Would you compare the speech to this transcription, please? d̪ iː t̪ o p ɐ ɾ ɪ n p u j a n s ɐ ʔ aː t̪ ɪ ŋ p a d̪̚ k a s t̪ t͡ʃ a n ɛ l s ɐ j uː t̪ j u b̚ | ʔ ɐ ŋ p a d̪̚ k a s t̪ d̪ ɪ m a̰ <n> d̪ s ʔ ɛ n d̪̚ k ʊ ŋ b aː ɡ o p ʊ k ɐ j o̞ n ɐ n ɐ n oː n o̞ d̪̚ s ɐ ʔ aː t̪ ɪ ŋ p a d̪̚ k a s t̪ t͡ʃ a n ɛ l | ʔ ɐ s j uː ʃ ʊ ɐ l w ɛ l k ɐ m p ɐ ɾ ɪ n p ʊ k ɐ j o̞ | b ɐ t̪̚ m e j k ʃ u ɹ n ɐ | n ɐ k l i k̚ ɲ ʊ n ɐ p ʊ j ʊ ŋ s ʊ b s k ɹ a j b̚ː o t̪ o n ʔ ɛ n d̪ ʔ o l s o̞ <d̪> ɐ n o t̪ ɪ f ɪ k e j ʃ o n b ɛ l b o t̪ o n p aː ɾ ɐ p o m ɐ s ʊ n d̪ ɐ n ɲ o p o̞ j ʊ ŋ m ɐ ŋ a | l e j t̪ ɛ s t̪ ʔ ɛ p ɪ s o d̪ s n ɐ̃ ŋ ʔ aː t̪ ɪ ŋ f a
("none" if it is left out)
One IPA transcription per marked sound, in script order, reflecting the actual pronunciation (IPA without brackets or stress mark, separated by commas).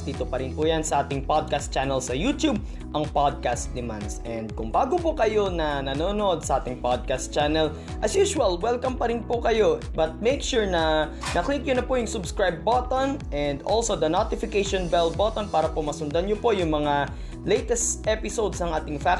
n, d̪